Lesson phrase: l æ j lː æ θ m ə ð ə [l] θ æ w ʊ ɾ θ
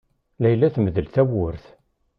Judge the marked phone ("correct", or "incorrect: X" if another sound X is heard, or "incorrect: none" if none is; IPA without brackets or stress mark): correct